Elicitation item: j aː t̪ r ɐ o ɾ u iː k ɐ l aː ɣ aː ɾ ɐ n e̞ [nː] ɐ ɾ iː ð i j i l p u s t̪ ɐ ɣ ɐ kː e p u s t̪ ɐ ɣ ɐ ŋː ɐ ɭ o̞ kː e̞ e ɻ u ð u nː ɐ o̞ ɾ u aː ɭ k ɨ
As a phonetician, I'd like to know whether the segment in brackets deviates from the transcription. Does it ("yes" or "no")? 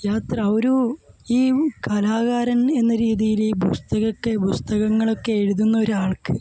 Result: no